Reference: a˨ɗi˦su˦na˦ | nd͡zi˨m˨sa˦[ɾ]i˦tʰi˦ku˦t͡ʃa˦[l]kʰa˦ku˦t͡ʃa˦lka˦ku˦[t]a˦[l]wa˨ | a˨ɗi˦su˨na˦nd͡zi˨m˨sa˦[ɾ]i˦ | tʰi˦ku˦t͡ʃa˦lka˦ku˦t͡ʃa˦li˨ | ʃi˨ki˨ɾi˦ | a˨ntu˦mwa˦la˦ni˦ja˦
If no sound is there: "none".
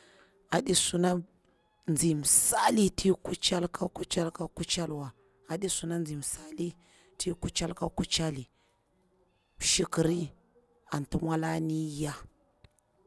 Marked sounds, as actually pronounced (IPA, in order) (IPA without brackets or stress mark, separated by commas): l, l, t͡ʃ, l, l